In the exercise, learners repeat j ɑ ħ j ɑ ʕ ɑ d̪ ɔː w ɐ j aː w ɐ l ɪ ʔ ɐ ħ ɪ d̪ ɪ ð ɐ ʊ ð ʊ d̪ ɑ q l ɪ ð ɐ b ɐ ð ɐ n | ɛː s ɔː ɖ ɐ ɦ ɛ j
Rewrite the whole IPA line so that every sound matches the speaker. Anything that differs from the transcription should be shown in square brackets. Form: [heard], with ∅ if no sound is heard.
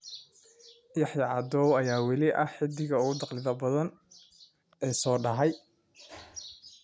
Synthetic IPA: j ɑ ħ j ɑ ʕ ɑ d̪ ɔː w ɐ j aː w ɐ l ɪ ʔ ɐ ħ ɪ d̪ ɪ [ɣ] ɐ ʊ [ɣ] ʊ d̪ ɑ q l ɪ ð ɐ b ɐ ð ɐ n | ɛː s ɔː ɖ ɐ ɦ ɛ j

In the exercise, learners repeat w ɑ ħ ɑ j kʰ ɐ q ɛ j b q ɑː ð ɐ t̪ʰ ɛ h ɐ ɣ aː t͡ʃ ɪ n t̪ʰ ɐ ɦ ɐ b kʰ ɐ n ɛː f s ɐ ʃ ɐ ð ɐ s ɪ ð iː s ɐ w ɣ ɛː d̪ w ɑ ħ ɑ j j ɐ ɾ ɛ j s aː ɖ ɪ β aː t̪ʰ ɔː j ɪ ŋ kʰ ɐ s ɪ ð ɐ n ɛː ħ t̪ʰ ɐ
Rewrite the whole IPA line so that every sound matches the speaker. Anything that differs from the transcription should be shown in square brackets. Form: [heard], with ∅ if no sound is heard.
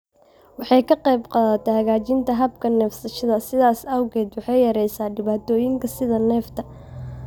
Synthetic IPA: w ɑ ħ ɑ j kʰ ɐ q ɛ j b q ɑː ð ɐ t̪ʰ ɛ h ɐ ɣ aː t͡ʃ ɪ n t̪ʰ ɐ ɦ ɐ b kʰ ɐ n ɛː f s ɐ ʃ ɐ ð ɐ s ɪ ð [aː] s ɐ w ɣ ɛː d̪ w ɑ ħ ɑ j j ɐ ɾ ɛ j s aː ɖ ɪ β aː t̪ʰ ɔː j ɪ ŋ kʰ ɐ s ɪ ð ɐ n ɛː [f] t̪ʰ ɐ

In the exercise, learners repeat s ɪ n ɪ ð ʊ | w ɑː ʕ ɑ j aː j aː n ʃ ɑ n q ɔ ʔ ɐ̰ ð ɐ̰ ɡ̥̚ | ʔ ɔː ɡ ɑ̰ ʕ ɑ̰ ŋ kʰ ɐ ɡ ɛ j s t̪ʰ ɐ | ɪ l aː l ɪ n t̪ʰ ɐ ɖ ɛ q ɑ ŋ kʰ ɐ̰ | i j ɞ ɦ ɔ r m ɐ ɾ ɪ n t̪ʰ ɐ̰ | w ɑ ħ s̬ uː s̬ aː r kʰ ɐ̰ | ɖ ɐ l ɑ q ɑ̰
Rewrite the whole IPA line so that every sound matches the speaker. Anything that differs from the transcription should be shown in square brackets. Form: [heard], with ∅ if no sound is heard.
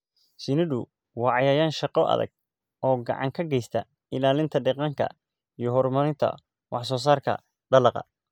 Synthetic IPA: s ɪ n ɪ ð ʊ | w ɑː ʕ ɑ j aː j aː n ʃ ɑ [∅] q ɔ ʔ ɐ̰ ð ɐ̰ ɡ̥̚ | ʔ ɔː ɡ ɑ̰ ʕ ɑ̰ ŋ kʰ ɐ ɡ ɛ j s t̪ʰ ɐ | ɪ l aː l ɪ n t̪ʰ ɐ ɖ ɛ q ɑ ŋ kʰ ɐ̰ | i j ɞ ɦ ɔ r m ɐ ɾ ɪ n t̪ʰ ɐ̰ | w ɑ ħ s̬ [ɔː] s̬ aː r kʰ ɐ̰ | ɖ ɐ l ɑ q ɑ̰

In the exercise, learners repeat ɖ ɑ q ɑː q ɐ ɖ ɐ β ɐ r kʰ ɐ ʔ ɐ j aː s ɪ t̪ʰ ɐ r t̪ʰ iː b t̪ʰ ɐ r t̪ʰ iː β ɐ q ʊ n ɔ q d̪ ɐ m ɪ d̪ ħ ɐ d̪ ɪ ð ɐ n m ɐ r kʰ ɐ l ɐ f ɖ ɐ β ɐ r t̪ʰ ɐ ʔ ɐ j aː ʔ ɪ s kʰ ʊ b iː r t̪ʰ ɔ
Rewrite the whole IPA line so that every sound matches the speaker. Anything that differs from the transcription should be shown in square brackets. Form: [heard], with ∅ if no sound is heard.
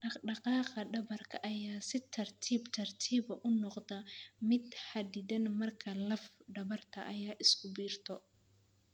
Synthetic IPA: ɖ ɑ q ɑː q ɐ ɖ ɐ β ɐ r kʰ ɐ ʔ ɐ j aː s ɪ t̪ʰ ɐ r t̪ʰ iː b t̪ʰ ɐ r t̪ʰ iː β ɐ [ʔ] ʊ n ɔ q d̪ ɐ m ɪ d̪ ħ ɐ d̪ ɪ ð ɐ n m ɐ r kʰ ɐ l ɐ f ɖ ɐ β ɐ r t̪ʰ ɐ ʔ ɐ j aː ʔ ɪ s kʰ ʊ b iː r t̪ʰ ɔ

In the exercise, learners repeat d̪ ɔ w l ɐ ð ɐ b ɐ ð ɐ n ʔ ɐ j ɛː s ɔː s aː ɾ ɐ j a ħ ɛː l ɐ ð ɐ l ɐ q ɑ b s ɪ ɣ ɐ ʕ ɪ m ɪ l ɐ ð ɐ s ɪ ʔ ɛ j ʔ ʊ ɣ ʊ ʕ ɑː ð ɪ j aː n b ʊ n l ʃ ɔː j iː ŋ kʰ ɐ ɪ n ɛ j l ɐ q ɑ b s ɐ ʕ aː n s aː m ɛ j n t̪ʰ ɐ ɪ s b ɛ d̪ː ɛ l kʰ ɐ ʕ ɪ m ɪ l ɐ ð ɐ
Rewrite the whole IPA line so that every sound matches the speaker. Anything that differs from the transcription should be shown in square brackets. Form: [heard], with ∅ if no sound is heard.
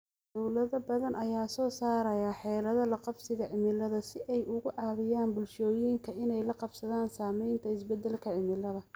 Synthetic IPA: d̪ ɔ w l ɐ ð ɐ b ɐ ð ɐ n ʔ ɐ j [aː] s ɔː s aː ɾ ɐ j a ħ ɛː l ɐ ð ɐ l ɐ q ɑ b s ɪ ɣ ɐ ʕ ɪ m ɪ l ɐ ð ɐ s ɪ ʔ ɛ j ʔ ʊ ɣ ʊ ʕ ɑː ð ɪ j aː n b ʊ [∅] l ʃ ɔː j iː ŋ kʰ ɐ ɪ n ɛ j l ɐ q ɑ b s ɐ [ð] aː n s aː m ɛ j n t̪ʰ ɐ ɪ s b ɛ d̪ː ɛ l kʰ ɐ ʕ ɪ m ɪ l ɐ ð ɐ

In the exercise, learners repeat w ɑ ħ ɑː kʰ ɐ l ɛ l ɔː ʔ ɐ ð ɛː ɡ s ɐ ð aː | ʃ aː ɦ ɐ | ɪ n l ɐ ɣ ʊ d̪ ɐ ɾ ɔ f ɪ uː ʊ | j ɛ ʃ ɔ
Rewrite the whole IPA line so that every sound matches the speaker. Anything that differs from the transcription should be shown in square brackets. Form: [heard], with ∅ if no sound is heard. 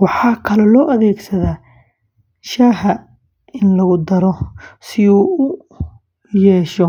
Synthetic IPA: w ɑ ħ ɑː kʰ ɐ l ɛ l ɔː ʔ ɐ ð ɛː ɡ s ɐ ð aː | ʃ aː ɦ ɐ | ɪ n l ɐ ɣ ʊ d̪ ɐ ɾ ɔ [s] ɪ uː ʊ | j [ɛː] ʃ ɔ

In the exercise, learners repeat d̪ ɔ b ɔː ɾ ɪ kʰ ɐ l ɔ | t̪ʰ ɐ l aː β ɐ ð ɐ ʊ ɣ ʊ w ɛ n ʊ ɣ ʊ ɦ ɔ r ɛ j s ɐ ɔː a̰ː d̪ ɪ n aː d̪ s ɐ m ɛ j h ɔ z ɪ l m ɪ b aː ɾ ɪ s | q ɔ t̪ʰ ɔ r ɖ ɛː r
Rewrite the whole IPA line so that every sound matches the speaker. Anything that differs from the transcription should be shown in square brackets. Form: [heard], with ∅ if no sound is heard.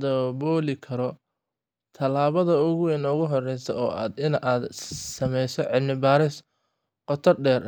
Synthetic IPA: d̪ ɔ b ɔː [l] ɪ kʰ ɐ [ɾ] ɔ | t̪ʰ ɐ l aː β ɐ ð ɐ ʊ ɣ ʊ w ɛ n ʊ ɣ ʊ ɦ ɔ r ɛ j s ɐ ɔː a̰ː d̪ ɪ n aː d̪ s ɐ m ɛ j [s] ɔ [ʕ] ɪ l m ɪ b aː ɾ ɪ s | q ɔ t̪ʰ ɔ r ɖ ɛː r

